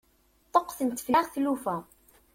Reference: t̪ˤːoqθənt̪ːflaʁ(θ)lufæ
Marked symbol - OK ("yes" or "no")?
yes